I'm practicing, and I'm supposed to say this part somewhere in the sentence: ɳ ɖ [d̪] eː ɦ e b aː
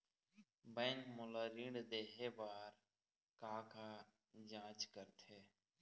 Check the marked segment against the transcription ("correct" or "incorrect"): correct